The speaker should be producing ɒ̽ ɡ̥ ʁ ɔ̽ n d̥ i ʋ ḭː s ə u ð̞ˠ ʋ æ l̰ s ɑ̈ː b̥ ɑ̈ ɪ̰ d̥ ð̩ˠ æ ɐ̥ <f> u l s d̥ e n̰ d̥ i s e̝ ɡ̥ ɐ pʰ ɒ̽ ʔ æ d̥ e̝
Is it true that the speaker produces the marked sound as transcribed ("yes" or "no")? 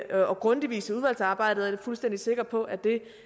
yes